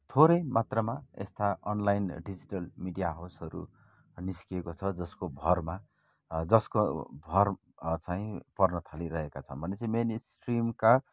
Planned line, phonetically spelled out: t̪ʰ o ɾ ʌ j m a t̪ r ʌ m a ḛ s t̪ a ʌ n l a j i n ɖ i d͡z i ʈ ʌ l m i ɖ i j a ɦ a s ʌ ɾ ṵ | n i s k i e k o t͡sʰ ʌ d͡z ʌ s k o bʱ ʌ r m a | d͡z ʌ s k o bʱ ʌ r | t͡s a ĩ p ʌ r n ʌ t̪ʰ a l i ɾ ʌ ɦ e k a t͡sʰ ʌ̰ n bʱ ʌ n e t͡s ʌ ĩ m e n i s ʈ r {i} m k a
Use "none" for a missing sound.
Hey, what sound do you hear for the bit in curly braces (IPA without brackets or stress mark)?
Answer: i